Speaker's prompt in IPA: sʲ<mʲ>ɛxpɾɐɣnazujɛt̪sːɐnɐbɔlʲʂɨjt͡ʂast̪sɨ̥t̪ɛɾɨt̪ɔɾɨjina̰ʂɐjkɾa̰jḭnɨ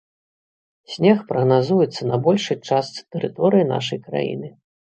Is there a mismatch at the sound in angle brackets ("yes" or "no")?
yes